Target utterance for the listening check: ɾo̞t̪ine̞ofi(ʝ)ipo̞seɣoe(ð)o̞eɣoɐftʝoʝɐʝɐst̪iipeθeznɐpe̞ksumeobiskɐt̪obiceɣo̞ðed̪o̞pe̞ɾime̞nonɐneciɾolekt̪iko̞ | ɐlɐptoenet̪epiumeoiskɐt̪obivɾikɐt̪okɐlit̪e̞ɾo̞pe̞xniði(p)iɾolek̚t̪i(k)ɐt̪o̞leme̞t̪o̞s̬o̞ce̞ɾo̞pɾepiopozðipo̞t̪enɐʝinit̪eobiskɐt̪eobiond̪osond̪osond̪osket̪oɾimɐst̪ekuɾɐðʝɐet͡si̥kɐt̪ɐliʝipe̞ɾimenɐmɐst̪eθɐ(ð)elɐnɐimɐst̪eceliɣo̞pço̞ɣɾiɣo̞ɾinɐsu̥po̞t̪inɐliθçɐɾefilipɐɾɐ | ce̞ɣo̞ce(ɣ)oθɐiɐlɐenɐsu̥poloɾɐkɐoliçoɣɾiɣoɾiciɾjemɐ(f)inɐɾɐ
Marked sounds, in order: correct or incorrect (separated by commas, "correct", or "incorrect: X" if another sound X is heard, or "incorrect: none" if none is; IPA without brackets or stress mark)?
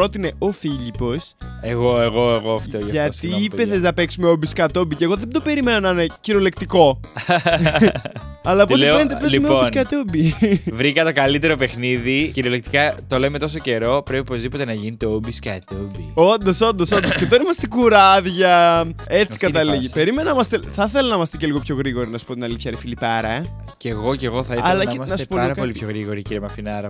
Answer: incorrect: ʎ, incorrect: ɣ, incorrect: c, correct, incorrect: θ, correct, correct